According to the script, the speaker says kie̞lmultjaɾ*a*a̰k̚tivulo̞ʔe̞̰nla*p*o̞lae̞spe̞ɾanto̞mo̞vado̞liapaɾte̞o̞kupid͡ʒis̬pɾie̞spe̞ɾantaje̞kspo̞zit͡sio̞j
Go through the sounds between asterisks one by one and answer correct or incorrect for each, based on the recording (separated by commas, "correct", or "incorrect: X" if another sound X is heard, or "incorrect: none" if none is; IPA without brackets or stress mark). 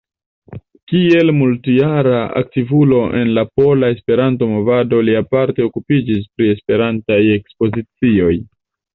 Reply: correct, correct